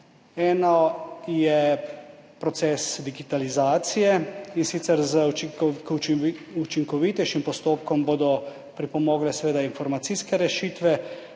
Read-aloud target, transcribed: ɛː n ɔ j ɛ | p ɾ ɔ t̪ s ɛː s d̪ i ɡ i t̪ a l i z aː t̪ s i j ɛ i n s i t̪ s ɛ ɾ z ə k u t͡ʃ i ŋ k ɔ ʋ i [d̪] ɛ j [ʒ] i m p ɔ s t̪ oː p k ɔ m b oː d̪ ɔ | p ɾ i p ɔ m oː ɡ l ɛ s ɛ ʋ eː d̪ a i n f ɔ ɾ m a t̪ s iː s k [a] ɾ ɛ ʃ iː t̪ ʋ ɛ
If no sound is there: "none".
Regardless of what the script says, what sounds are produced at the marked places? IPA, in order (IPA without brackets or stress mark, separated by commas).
t̪, ʃ, ɛ